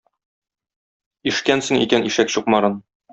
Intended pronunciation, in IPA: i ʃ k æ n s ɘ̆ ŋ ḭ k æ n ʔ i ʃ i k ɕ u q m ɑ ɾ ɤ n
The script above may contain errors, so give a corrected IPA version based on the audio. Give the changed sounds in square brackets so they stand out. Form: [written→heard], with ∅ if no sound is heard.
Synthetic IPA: i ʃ k æ n s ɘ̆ ŋ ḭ k æ n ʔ i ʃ [i→æ] k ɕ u q m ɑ ɾ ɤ n